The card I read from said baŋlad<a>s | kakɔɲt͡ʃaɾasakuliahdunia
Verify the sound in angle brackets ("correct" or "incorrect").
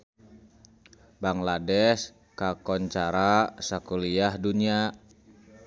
incorrect